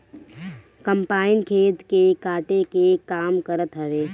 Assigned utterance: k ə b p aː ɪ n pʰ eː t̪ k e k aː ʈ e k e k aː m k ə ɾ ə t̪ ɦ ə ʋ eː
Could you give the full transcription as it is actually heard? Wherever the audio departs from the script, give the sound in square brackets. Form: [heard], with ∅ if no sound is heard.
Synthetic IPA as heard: k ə [m] p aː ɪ n [kʰ] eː t̪ k e k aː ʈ e k e k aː m k ə ɾ ə t̪ ɦ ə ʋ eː